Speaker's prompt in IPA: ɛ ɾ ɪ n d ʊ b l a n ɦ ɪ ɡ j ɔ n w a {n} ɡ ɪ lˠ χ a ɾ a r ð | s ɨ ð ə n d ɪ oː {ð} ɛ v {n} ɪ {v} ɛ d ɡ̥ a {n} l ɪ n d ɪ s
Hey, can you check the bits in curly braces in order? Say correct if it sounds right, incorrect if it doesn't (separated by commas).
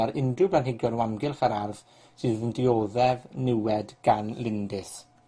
incorrect, correct, correct, incorrect, correct